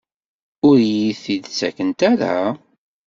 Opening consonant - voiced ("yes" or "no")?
yes